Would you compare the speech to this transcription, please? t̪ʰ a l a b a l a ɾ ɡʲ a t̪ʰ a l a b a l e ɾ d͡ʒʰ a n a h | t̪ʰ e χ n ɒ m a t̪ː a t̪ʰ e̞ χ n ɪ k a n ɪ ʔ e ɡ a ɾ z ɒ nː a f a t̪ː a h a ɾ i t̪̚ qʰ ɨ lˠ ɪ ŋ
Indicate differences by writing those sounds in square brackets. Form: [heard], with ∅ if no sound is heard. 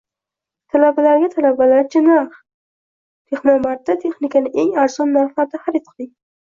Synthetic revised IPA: t̪ʰ a l a b a l a ɾ ɡʲ a t̪ʰ a l a b a l [a] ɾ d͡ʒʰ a n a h | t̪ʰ e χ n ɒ m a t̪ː a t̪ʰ e̞ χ n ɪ k a n ɪ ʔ e [ŋ] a ɾ z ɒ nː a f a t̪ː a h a ɾ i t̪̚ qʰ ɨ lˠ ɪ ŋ